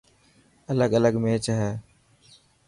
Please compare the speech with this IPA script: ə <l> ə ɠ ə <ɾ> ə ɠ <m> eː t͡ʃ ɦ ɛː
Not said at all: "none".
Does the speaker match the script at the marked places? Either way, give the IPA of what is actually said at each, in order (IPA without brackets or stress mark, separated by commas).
l, l, m